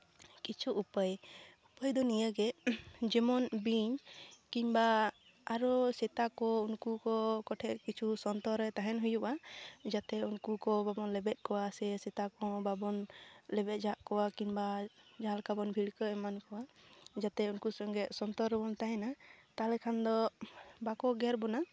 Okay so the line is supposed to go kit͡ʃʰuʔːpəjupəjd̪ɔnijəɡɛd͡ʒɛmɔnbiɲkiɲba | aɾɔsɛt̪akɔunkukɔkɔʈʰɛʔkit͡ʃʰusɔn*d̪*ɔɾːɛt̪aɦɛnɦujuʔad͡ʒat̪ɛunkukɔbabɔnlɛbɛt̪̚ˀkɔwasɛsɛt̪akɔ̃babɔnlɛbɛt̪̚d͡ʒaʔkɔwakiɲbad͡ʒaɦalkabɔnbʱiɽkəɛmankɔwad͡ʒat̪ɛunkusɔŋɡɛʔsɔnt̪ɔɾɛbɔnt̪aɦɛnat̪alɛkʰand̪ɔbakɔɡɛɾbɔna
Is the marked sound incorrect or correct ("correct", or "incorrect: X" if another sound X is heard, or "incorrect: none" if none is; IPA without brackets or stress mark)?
incorrect: t̪